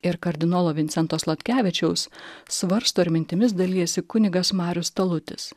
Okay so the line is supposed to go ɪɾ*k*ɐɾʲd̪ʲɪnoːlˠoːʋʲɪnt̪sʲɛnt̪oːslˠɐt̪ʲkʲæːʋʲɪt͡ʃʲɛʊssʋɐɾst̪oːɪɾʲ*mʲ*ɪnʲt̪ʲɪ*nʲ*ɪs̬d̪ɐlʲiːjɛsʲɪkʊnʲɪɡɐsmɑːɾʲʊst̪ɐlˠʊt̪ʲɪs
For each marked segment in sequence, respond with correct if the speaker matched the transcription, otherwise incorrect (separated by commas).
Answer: correct, correct, incorrect